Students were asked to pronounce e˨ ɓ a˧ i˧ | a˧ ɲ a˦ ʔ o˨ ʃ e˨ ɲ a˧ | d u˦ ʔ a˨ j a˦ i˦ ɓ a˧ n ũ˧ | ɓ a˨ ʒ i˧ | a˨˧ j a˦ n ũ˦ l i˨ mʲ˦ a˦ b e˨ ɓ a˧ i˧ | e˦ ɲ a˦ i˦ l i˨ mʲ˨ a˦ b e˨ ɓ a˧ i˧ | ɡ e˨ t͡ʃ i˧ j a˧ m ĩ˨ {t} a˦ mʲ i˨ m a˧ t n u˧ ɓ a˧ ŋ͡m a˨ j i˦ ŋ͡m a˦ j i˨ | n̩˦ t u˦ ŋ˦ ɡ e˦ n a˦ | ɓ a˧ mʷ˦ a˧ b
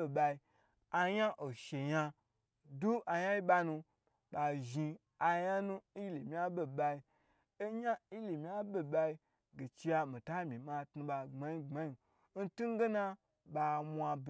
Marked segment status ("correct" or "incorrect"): correct